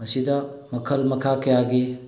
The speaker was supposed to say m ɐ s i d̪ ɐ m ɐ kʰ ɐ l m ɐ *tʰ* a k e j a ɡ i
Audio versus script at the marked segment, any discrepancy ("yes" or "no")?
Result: yes